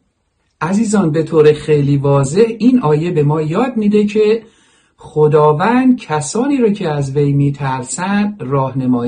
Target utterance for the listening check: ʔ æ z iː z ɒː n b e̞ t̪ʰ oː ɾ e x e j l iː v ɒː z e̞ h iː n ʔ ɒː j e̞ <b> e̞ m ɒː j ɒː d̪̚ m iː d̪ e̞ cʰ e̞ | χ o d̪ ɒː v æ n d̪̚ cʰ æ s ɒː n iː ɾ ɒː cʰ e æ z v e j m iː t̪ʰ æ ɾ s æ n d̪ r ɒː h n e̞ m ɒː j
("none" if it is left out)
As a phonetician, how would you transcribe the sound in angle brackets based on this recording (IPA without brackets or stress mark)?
b